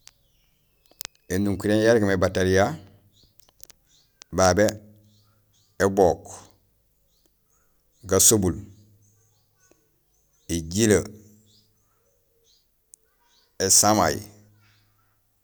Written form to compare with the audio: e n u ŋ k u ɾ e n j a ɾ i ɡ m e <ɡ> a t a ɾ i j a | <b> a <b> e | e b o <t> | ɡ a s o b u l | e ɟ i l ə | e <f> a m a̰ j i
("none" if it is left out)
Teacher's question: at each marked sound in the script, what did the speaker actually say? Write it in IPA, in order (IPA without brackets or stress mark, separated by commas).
b, b, b, k, s